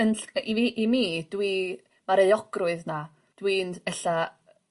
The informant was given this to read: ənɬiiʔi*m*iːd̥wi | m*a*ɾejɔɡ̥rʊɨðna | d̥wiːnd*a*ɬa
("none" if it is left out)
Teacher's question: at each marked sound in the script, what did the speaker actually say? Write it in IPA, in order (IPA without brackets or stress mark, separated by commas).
m, a, ɛ